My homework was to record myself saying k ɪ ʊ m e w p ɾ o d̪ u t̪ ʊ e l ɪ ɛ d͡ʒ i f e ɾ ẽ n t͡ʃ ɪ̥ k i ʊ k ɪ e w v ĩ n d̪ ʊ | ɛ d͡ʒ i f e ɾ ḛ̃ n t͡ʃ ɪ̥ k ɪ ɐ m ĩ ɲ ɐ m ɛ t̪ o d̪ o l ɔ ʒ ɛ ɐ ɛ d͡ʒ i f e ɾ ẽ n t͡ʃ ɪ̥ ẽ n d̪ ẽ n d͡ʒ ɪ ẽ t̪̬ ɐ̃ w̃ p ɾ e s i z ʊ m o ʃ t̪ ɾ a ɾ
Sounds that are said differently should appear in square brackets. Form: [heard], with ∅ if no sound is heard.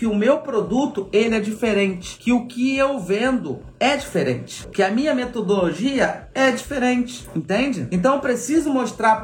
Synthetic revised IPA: k ɪ ʊ m e w p ɾ o d̪ u t̪ ʊ e l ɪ ɛ d͡ʒ i f e ɾ ẽ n t͡ʃ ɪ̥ k [ɪ] ʊ k ɪ e w v [ẽ] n d̪ ʊ | ɛ d͡ʒ i f e ɾ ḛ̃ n t͡ʃ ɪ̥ k ɪ ɐ m ĩ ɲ ɐ m [e] t̪ o d̪ o l [o] ʒ [i] ɐ ɛ d͡ʒ i f e ɾ ẽ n t͡ʃ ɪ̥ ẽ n [t̪] ẽ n d͡ʒ ɪ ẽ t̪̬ ɐ̃ w̃ p ɾ e s i z ʊ m o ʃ t̪ ɾ a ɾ